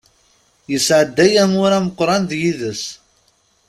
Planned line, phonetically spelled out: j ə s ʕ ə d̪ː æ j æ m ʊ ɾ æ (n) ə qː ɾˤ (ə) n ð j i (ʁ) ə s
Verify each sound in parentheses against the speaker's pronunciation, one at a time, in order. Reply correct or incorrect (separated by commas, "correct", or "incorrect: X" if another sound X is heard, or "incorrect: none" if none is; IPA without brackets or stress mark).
incorrect: m, incorrect: ɑ, incorrect: ð